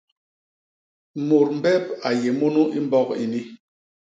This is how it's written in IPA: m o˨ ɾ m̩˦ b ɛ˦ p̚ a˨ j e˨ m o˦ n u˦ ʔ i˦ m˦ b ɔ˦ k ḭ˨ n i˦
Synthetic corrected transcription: m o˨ ɾ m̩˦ b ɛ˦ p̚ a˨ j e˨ m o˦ n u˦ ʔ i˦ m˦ b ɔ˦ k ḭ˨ n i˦